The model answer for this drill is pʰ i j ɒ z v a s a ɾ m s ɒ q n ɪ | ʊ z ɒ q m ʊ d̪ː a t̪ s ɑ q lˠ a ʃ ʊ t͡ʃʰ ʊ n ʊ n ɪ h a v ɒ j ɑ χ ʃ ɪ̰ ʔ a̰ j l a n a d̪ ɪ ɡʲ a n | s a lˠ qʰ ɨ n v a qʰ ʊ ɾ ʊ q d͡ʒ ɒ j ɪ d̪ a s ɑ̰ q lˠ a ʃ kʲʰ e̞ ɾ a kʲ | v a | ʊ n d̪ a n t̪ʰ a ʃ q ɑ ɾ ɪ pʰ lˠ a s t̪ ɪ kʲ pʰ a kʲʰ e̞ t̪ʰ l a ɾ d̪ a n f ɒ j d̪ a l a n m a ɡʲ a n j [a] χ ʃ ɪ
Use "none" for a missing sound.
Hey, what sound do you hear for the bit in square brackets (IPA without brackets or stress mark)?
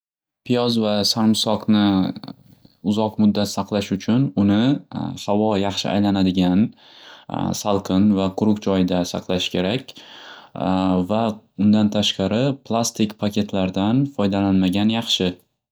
ɑ